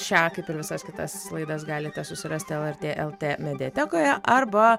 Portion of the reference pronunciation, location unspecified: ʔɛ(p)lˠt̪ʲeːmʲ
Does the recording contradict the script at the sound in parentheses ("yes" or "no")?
yes